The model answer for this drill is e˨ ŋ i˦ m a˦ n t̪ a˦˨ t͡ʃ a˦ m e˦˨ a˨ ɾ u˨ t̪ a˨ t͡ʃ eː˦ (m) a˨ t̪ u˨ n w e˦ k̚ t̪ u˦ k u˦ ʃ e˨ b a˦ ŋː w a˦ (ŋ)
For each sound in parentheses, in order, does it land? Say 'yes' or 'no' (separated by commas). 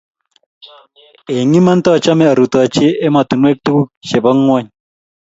yes, no